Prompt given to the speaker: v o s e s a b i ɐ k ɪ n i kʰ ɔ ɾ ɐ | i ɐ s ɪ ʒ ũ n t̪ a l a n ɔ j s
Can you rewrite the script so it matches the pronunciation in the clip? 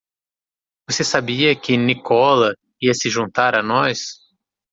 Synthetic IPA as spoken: v o s e s a b i ɐ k ɪ n i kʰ ɔ l ɐ | i ɐ s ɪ ʒ ũ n t̪ a ɾ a n ɔ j s